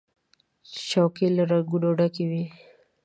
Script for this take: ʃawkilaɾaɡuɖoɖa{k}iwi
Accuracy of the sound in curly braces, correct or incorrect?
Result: correct